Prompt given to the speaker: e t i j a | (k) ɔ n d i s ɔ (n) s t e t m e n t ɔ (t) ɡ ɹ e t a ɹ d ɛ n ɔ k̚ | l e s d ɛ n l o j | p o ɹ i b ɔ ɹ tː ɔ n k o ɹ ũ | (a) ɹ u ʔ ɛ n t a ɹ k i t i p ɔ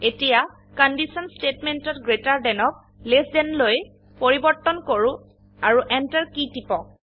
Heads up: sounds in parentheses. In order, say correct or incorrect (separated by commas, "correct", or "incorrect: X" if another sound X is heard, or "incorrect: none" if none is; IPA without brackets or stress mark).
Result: correct, correct, correct, correct